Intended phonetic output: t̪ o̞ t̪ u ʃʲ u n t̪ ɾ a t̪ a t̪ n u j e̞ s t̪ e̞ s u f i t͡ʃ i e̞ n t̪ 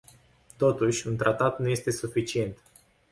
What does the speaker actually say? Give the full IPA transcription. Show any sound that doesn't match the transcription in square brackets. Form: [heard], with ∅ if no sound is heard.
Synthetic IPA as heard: t̪ o̞ t̪ u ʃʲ u n t̪ ɾ a t̪ a t̪ n u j e̞ s t̪ e̞ s u f i t͡ʃ i e̞ n t̪